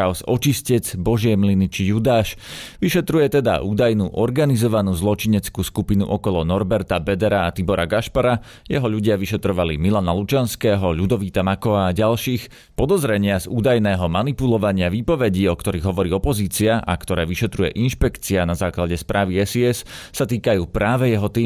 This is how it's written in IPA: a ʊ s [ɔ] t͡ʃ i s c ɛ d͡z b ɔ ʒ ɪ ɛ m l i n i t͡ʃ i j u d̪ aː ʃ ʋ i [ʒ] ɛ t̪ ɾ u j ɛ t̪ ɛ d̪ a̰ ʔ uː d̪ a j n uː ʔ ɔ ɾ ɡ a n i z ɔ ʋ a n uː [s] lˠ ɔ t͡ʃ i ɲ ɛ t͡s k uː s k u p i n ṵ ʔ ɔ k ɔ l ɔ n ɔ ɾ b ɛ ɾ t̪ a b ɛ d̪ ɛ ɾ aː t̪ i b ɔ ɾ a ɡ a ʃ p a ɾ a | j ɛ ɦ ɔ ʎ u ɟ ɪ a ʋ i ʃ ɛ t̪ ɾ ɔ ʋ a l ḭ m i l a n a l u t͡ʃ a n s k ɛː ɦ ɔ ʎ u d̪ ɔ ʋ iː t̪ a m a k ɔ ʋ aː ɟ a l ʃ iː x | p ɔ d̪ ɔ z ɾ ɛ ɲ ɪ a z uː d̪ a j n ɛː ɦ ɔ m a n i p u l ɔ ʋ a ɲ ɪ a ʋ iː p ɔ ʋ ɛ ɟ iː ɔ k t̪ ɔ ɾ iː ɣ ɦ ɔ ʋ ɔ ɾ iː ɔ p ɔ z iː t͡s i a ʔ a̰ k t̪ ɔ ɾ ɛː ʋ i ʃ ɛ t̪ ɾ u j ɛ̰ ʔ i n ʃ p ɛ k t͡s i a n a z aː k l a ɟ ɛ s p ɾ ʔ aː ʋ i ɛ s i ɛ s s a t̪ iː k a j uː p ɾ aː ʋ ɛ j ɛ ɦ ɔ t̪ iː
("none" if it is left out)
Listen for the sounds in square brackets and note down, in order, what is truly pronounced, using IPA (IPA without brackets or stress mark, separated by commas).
ɔ, ʃ, z